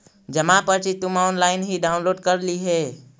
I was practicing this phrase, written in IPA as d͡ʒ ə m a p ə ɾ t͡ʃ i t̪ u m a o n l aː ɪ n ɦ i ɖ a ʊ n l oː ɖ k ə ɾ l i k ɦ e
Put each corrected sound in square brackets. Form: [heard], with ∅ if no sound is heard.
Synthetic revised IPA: d͡ʒ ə m a p ə ɾ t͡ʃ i t̪ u m a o n l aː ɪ n ɦ i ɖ a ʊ n l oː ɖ k ə ɾ l i [∅] ɦ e